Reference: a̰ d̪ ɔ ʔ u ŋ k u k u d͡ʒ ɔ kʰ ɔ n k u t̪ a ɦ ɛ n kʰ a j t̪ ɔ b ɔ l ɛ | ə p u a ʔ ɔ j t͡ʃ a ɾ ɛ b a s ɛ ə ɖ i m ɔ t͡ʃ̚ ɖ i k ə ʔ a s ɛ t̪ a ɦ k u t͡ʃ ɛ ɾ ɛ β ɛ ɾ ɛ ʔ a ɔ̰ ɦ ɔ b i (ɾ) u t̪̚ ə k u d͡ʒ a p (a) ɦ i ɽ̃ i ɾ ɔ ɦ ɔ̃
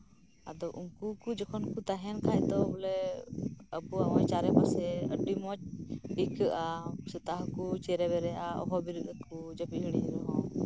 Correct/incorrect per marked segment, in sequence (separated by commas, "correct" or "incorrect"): correct, incorrect